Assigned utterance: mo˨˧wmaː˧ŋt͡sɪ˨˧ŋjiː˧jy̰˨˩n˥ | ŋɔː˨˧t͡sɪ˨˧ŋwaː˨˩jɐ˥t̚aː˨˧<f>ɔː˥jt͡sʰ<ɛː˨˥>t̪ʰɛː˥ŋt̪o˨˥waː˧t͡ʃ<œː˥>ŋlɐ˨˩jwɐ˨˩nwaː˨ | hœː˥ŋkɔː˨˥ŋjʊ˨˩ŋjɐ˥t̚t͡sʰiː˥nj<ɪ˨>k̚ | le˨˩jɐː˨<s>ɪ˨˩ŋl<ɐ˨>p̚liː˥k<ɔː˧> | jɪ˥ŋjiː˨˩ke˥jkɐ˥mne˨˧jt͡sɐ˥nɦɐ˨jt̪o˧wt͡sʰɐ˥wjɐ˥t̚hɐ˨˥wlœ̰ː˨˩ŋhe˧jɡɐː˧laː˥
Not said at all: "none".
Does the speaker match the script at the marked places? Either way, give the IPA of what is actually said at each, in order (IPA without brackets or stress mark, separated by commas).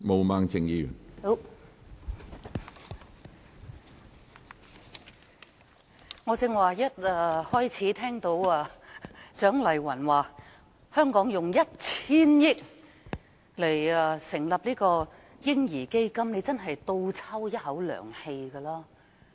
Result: h, iː˨˥, œː˨˥, ɪ˥, s, ɐ˨, ɔː˧